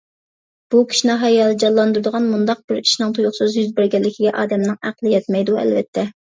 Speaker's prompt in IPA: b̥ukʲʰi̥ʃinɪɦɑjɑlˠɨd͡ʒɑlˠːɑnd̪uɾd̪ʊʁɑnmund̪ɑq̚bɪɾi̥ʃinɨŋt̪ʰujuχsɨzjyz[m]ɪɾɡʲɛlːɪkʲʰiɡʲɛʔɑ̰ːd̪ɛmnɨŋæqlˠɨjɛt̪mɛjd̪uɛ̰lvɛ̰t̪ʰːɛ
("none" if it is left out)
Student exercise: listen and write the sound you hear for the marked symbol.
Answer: b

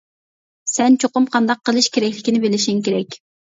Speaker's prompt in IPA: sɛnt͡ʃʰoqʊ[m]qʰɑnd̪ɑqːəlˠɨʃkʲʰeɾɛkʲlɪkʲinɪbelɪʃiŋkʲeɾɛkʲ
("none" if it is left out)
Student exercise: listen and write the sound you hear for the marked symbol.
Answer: m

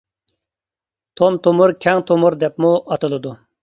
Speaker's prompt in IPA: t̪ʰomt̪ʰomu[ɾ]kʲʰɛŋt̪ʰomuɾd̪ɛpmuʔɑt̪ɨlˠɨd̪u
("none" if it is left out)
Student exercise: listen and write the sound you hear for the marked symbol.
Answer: ɾ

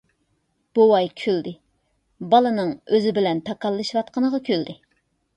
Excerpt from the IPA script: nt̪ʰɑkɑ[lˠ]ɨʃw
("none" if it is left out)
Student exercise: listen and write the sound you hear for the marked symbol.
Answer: lˠː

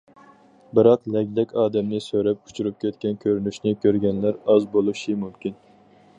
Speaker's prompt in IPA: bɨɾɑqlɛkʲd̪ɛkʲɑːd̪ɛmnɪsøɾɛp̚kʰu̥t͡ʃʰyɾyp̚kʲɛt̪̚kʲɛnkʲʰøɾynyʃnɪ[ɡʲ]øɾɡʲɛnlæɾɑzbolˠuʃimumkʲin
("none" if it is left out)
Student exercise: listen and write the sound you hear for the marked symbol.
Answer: kʲ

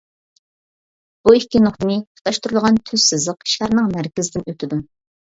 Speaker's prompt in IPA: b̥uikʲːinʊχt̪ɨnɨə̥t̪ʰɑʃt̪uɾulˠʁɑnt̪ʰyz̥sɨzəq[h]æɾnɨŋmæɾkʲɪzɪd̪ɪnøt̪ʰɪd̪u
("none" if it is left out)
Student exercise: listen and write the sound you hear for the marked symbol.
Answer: ʃ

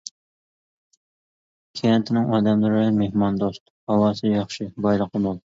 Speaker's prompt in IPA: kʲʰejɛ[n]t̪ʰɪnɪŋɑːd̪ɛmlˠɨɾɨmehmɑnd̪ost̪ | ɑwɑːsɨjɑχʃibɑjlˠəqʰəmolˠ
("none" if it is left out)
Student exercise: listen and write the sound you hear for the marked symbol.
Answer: n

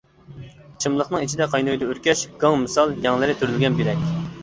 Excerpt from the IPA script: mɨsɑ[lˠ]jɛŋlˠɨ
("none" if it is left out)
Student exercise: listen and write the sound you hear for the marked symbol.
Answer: lˠ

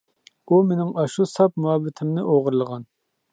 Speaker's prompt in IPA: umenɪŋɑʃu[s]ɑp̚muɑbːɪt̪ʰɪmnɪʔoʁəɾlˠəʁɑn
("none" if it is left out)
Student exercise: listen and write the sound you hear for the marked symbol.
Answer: s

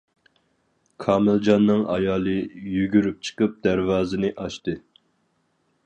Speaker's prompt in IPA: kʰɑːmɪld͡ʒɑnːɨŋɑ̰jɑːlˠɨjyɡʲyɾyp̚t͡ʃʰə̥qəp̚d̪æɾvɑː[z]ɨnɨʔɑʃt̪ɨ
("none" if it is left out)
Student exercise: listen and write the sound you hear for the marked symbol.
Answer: z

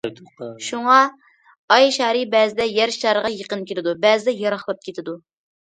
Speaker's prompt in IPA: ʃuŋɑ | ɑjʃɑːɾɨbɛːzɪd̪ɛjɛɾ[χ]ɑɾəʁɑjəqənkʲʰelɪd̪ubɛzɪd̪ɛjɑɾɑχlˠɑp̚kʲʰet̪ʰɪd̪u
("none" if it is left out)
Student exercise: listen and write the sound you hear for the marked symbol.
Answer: ʃ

